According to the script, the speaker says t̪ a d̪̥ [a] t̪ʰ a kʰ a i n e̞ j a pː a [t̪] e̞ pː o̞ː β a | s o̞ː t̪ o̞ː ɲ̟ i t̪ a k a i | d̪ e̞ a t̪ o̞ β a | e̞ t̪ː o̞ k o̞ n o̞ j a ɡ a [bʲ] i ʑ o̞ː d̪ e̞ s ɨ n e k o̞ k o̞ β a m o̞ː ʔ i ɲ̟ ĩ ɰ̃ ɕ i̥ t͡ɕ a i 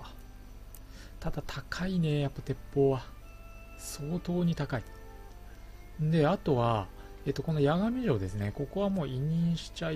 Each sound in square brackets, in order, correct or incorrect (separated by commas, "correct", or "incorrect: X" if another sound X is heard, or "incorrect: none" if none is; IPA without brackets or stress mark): correct, correct, incorrect: mʲ